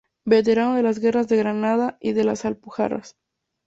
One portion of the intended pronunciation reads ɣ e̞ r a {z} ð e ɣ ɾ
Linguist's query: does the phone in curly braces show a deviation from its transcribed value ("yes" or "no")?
no